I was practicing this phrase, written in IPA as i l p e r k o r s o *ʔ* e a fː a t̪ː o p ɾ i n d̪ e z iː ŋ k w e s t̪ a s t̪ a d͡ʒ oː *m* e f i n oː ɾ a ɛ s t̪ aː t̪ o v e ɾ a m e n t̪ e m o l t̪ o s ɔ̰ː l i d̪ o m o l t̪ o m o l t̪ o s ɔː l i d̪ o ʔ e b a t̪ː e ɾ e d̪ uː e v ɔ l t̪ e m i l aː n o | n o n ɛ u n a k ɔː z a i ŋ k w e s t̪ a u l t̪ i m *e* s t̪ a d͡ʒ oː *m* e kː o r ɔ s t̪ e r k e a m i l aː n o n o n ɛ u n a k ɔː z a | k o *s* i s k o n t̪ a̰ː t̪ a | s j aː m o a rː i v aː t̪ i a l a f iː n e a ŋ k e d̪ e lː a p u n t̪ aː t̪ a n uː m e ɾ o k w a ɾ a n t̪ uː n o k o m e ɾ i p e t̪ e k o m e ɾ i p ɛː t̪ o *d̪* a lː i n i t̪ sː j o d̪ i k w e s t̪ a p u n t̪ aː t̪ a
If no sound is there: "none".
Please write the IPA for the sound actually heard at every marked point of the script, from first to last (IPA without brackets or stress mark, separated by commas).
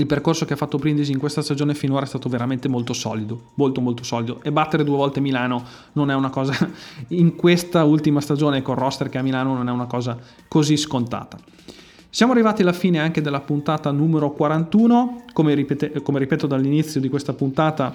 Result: k, n, a, n, z, d̪